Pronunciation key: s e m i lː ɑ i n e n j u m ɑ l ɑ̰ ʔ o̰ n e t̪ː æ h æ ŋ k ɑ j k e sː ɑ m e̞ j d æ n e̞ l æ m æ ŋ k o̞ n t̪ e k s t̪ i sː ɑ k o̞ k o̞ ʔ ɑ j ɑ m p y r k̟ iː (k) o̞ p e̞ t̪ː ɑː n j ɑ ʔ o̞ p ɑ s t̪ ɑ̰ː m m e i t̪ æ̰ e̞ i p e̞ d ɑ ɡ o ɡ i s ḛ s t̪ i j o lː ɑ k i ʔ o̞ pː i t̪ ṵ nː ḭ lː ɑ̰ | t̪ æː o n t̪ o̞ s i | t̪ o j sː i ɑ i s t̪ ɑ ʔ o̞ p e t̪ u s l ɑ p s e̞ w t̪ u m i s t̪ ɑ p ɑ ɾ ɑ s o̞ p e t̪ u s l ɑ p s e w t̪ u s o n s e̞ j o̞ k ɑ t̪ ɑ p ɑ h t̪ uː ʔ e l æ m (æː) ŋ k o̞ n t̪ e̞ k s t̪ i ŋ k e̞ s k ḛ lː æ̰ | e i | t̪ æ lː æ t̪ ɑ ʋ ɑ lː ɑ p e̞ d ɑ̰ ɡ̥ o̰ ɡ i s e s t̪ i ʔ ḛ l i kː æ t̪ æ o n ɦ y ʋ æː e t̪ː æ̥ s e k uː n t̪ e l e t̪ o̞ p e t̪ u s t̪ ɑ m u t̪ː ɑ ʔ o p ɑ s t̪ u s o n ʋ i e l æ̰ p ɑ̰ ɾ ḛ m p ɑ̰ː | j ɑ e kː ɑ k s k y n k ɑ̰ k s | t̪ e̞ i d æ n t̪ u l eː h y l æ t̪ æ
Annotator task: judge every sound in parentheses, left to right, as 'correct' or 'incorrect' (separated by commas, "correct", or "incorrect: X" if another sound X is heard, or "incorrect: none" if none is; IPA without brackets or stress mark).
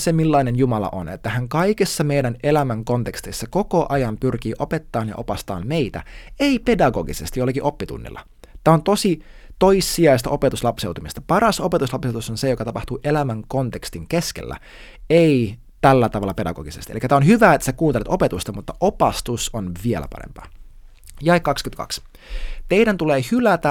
incorrect: ʔ, incorrect: æ